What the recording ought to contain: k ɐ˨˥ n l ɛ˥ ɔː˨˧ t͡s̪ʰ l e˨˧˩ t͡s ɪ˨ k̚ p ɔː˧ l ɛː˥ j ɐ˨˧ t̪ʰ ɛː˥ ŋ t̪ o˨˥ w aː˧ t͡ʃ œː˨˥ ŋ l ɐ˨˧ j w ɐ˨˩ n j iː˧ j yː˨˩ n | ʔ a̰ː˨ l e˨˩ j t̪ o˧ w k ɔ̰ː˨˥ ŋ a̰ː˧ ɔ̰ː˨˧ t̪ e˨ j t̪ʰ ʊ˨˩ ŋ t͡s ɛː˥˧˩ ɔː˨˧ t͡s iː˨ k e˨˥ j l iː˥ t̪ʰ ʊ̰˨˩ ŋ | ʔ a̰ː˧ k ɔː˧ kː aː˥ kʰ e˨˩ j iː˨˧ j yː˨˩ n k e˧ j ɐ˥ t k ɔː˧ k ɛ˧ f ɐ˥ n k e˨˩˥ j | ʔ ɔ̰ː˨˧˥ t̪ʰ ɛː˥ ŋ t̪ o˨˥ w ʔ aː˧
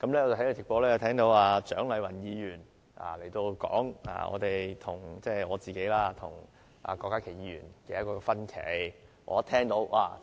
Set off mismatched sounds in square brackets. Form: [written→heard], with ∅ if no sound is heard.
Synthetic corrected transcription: k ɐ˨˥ [n→m] l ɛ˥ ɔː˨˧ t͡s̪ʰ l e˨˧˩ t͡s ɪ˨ k̚ p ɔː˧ l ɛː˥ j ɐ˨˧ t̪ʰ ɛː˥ ŋ t̪ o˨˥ w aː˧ t͡ʃ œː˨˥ ŋ l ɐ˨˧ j w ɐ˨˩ n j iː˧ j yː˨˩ n | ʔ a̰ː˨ l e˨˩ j t̪ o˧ w k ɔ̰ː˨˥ ŋ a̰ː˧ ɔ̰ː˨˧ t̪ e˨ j t̪ʰ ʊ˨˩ ŋ t͡s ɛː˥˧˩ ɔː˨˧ t͡s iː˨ k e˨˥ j l [iː˥→aː˥] t̪ʰ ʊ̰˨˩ ŋ | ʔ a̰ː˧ k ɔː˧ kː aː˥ kʰ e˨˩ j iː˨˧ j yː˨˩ n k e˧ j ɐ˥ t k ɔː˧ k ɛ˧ f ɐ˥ n [k→kʰ] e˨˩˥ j | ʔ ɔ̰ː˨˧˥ t̪ʰ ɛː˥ ŋ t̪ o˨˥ w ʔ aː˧